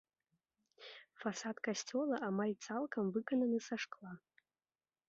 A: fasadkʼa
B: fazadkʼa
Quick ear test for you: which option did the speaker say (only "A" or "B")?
A